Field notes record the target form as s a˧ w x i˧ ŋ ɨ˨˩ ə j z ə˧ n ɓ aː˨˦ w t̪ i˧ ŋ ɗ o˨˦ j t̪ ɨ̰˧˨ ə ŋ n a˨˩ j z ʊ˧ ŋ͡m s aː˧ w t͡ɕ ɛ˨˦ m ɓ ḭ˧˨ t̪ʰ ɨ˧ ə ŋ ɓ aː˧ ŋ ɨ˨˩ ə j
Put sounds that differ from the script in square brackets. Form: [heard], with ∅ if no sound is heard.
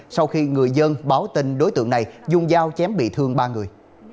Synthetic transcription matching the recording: s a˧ w x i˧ ŋ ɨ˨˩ ə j z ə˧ n ɓ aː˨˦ w t̪ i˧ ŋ ɗ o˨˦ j t̪ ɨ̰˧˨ ə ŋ n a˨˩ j z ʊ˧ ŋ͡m [z] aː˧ w t͡ɕ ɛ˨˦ m ɓ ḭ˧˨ t̪ʰ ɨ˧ ə ŋ ɓ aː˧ ŋ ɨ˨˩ ə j